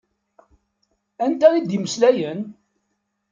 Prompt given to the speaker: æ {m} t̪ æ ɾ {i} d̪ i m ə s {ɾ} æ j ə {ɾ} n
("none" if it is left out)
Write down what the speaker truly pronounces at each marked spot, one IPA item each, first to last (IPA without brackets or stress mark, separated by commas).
n, i, l, none